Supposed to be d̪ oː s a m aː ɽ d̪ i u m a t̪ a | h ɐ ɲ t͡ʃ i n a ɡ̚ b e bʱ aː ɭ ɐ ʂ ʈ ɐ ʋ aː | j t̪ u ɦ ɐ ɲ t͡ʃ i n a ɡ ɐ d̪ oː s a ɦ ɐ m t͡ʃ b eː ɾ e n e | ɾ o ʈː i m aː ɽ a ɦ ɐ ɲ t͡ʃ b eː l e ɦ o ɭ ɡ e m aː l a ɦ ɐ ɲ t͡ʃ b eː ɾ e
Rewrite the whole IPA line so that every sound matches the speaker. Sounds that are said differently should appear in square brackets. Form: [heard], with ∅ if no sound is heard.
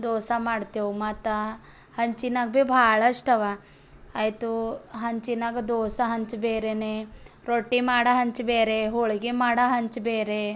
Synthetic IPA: d̪ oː s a m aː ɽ [t̪] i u m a t̪ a | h ɐ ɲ t͡ʃ i n a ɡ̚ b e bʱ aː ɭ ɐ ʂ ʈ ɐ ʋ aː | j t̪ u ɦ ɐ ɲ t͡ʃ i n a ɡ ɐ d̪ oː s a ɦ ɐ [ɲ] t͡ʃ b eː ɾ e n e | ɾ o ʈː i m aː ɽ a ɦ ɐ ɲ t͡ʃ b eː [ɾ] e ɦ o ɭ ɡ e m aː [ɽ] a ɦ ɐ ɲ t͡ʃ b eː ɾ e

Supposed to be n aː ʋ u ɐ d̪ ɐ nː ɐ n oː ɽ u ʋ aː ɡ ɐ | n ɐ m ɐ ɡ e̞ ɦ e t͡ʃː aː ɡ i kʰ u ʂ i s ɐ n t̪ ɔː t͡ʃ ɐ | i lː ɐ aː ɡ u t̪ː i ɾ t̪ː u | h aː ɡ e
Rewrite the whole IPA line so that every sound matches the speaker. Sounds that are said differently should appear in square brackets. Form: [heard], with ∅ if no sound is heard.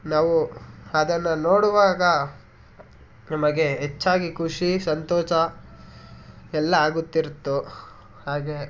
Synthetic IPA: n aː ʋ u ɐ d̪ ɐ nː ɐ n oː ɽ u ʋ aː ɡ ɐ | n ɐ m ɐ ɡ e̞ ɦ e t͡ʃː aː ɡ i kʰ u ʂ i s ɐ n t̪ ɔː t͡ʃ ɐ | [ɛ] lː ɐ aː ɡ u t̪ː i ɾ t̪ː u | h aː ɡ e

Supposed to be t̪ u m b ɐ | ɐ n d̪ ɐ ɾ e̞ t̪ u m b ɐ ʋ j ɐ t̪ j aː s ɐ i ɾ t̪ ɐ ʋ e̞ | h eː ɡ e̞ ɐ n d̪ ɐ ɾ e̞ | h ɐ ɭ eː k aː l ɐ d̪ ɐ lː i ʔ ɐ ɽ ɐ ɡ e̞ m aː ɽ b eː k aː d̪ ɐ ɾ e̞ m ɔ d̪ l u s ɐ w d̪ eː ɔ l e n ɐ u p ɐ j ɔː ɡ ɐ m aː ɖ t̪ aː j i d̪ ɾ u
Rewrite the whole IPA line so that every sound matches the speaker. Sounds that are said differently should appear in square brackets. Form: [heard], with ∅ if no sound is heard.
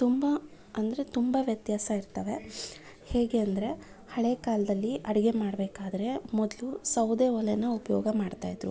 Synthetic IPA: t̪ u m b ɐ | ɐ n d̪ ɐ ɾ e̞ t̪ u m b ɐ ʋ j ɐ t̪ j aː s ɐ i ɾ t̪ ɐ ʋ e̞ | h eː ɡ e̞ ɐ n d̪ ɐ ɾ e̞ | h ɐ ɭ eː k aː l ɐ d̪ ɐ lː i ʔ ɐ ɽ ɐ ɡ e̞ m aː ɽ b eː k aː d̪ ɐ ɾ e̞ m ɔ d̪ l u s ɐ w d̪ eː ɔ l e n ɐ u p ɐ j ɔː ɡ ɐ m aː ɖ t̪ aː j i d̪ ɾ u

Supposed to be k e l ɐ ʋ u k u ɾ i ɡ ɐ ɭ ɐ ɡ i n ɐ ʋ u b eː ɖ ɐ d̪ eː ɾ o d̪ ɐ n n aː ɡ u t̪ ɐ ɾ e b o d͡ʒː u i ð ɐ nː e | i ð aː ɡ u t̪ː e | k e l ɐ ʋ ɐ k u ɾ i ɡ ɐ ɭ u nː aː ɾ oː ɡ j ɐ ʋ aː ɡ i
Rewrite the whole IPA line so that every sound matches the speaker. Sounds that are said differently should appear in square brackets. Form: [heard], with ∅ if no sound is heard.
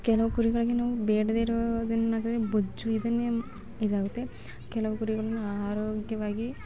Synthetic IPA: k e l ɐ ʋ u k u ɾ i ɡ ɐ ɭ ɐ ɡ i n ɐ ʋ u b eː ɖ ɐ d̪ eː ɾ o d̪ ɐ n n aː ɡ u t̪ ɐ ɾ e b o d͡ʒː u i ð ɐ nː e | i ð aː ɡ u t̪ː e | k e l ɐ ʋ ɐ k u ɾ i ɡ ɐ ɭ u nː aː ɾ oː ɡ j ɐ ʋ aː ɡ i

